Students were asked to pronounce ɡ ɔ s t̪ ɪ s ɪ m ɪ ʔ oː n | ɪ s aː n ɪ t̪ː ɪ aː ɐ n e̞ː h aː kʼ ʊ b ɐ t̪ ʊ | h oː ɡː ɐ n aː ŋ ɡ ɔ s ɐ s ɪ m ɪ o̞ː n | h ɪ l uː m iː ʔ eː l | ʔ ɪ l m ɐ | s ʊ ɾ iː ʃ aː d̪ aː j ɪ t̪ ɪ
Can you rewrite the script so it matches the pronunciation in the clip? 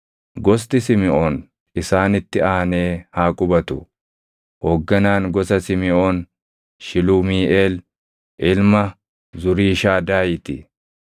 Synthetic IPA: ɡ ɔ s t̪ ɪ s ɪ m ɪ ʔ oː n | ɪ s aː n ɪ t̪ː ɪ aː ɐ n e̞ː h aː kʼ ʊ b ɐ t̪ ʊ | h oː ɡː ɐ n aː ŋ ɡ ɔ s ɐ s ɪ m ɪ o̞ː n | ʃ ɪ l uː m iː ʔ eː l | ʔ ɪ l m ɐ | z ʊ ɾ iː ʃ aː d̪ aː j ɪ t̪ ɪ